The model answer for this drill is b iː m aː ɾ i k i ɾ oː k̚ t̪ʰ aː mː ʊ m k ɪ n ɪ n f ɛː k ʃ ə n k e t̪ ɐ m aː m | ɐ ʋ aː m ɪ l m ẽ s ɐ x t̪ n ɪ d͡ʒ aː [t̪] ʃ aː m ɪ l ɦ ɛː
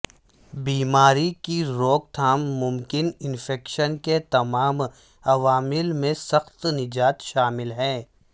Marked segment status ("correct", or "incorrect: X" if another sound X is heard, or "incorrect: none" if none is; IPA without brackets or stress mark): correct